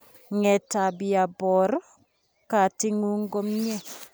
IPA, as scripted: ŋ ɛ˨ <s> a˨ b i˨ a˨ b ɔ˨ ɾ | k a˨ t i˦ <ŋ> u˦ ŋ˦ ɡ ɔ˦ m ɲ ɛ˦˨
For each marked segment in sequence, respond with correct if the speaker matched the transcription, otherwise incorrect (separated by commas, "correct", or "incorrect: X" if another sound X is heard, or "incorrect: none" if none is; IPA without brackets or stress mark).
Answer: incorrect: t, correct